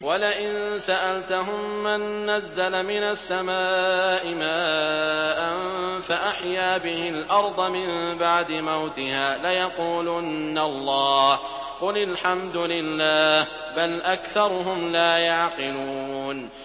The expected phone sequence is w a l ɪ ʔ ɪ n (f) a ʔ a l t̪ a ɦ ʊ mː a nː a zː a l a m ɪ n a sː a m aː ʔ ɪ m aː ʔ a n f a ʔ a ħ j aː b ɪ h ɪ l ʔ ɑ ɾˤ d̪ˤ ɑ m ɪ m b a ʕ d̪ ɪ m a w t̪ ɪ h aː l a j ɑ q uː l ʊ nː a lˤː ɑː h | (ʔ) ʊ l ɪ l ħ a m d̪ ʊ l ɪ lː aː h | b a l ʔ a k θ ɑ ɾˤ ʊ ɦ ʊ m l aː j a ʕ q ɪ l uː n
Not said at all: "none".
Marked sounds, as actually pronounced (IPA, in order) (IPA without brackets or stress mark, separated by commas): s, q